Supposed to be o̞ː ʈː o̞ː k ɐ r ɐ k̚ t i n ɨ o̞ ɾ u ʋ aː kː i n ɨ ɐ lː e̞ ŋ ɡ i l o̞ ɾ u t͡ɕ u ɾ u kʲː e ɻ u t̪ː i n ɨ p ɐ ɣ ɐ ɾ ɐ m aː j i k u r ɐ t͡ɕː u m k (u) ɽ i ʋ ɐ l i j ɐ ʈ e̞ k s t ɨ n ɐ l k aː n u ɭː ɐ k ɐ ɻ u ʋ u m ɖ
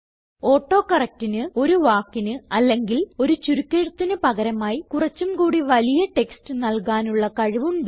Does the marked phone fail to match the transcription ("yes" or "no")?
yes